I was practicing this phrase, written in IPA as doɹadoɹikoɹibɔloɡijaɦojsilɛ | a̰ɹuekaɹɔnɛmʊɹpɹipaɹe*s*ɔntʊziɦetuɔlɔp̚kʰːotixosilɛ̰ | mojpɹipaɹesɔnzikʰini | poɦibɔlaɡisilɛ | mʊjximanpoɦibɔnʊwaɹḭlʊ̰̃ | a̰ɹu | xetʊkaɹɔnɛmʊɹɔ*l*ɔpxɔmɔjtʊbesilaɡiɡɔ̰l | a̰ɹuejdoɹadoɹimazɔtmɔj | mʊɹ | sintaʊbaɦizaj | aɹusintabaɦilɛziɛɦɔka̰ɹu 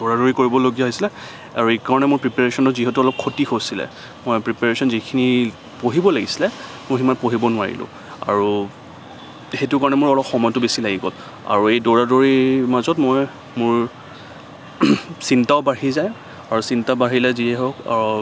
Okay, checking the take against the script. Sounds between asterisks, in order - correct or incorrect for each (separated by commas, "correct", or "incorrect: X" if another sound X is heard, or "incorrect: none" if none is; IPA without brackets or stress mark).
correct, correct